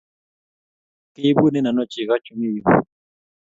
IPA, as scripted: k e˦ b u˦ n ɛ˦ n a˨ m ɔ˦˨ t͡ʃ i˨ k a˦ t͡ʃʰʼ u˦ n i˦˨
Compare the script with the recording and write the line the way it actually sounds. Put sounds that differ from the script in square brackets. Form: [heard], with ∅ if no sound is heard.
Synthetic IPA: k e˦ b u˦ n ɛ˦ n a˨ [n] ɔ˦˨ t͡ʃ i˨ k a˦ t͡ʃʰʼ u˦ [m] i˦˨